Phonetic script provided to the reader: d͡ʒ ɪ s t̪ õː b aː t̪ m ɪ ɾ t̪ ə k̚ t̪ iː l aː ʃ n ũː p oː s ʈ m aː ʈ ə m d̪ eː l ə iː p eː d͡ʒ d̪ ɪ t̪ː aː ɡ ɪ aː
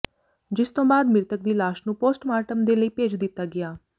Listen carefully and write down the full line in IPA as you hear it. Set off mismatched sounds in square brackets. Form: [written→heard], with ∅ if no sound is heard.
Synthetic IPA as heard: d͡ʒ ɪ s t̪ õː b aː [t̪→d̪] m ɪ ɾ t̪ ə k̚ [t̪→d̪] iː l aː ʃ n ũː p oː s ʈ m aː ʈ ə m d̪ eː l ə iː p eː d͡ʒ d̪ ɪ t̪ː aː ɡ ɪ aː